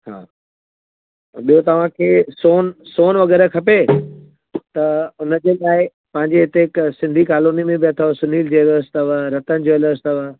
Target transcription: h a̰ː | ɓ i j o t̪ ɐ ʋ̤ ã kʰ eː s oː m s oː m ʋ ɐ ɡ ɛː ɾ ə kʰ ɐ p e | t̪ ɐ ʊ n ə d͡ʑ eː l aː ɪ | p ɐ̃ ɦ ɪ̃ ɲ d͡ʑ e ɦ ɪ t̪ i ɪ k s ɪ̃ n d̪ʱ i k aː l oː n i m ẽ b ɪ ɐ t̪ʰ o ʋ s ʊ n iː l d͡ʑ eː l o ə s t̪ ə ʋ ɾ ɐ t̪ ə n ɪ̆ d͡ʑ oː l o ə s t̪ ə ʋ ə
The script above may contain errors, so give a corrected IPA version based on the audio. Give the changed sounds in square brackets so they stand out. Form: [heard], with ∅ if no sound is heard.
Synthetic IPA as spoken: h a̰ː | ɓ i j o t̪ ɐ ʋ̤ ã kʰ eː s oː [n] s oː [n] ʋ ɐ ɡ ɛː ɾ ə kʰ ɐ p e | t̪ ɐ ʊ n ə d͡ʑ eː l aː ɪ | p ɐ̃ ɦ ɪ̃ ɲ d͡ʑ e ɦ ɪ t̪ [e] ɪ k s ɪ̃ n d̪ʱ i k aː l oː n i m ẽ b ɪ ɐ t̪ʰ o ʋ s ʊ n iː l d͡ʑ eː l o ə s t̪ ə ʋ ɾ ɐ t̪ ə n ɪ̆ d͡ʑ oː l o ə s t̪ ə ʋ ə